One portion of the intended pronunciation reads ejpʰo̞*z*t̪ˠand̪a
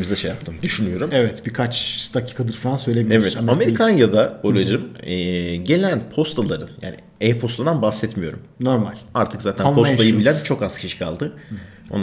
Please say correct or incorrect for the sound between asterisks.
incorrect